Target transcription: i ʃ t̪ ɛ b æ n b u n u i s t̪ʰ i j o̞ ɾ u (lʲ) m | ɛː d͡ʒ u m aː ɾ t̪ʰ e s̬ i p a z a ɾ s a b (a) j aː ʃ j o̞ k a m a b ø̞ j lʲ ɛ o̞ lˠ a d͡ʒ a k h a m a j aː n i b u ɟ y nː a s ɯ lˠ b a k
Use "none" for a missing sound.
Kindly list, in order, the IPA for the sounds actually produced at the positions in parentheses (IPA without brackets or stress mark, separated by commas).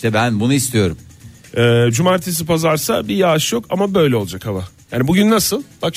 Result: none, i